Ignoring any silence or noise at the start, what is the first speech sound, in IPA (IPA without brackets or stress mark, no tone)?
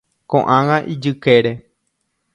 k